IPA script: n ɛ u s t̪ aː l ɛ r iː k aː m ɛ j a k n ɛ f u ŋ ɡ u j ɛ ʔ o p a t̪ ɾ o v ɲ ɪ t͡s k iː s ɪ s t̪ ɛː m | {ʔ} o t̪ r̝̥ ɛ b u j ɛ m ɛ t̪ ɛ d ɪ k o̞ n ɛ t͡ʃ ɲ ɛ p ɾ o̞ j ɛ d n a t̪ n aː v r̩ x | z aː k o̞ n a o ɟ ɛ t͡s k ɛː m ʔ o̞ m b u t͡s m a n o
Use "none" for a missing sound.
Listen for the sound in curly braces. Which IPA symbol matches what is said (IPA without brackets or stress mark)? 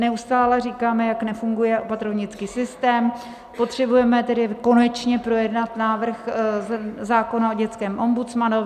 p